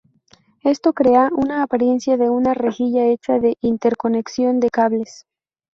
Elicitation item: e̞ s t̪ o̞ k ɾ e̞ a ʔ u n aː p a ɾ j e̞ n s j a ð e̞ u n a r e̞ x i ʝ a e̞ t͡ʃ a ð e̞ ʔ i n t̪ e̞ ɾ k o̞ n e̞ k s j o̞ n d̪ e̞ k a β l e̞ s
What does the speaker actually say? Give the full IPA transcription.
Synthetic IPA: e̞ s t̪ o̞ k ɾ e̞ a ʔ u n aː p a ɾ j e̞ n s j a ð e̞ u n a r e̞ x i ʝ a e̞ t͡ʃ a ð e̞ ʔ i n t̪ e̞ ɾ k o̞ n e̞ k s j o̞ n d̪ e̞ k a β l e̞ s